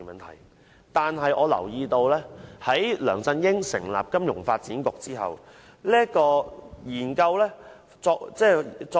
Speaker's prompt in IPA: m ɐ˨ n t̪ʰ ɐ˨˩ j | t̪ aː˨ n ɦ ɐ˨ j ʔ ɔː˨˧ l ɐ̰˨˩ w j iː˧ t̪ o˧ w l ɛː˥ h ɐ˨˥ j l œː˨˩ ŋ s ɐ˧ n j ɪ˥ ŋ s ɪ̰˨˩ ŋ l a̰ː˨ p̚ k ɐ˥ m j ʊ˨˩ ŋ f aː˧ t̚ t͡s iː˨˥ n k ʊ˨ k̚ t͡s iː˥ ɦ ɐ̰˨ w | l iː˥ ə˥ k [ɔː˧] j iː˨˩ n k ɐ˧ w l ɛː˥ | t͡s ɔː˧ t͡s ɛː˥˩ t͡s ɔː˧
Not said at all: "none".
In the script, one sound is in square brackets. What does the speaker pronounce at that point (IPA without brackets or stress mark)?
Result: ɔː˧